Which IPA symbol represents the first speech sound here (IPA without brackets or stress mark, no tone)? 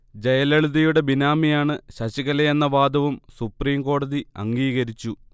d͡ʑ